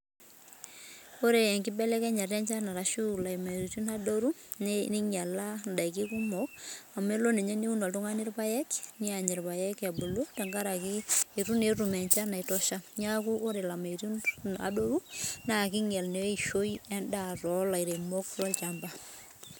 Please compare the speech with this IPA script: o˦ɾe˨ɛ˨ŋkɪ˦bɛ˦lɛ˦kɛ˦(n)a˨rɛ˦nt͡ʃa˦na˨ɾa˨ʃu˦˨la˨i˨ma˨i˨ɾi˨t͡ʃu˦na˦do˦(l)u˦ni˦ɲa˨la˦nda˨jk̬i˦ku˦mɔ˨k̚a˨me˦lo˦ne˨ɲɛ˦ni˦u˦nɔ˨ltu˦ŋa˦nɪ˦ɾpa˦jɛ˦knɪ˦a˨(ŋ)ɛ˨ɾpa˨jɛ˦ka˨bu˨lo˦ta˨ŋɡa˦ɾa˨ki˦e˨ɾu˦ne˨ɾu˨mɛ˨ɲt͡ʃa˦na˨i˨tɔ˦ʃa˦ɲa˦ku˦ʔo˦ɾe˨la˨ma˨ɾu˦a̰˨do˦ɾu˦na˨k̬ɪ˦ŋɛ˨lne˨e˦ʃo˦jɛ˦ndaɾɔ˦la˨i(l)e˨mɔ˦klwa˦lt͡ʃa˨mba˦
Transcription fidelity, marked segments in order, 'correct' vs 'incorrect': incorrect, incorrect, incorrect, incorrect

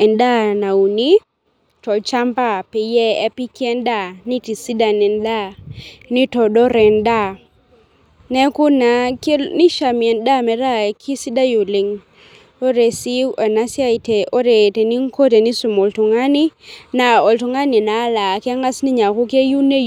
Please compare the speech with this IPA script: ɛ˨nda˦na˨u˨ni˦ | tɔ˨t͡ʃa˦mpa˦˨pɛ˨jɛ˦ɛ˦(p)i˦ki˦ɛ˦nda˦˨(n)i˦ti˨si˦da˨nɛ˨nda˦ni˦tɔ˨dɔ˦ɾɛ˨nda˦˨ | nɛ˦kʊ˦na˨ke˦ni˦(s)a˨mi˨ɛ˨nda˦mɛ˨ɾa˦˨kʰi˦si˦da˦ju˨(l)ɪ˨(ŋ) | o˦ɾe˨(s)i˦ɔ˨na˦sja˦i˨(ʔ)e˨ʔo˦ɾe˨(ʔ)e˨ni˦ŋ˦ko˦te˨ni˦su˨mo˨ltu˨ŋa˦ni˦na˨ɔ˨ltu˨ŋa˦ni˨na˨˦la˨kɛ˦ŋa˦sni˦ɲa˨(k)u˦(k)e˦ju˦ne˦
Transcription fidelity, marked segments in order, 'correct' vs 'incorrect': correct, correct, incorrect, correct, correct, correct, incorrect, incorrect, correct, correct

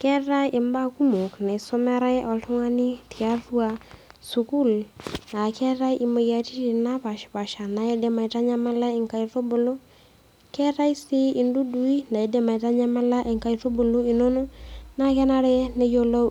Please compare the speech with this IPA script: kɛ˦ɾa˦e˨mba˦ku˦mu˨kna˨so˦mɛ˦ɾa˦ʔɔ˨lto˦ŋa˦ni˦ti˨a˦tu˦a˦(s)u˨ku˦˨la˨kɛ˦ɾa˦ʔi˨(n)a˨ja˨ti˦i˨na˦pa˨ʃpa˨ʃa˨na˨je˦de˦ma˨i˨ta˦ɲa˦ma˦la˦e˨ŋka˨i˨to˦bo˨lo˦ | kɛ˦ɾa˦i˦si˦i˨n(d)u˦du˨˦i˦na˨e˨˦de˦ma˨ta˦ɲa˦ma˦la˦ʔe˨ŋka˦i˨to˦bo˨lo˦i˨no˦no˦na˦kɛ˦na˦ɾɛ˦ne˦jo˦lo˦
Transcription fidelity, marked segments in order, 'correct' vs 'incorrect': correct, incorrect, correct

